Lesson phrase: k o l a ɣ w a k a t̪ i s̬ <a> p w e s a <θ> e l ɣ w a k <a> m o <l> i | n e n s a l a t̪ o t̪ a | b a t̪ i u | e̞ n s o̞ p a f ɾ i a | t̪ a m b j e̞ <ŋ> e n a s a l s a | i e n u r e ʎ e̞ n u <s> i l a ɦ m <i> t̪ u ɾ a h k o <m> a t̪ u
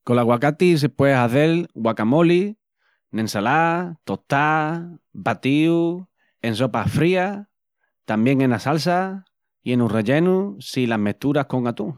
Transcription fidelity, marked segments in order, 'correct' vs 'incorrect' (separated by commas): incorrect, correct, correct, correct, correct, correct, incorrect, incorrect